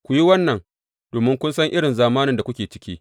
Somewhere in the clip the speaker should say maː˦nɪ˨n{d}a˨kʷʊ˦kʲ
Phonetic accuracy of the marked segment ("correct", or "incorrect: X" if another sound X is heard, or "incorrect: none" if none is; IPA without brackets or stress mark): correct